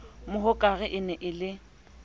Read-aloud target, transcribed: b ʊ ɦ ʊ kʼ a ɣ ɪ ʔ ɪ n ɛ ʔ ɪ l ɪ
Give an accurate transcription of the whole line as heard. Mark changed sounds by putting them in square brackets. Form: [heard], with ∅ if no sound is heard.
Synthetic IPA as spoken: [m] ʊ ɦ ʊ kʼ a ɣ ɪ ʔ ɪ n ɛ ʔ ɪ l ɪ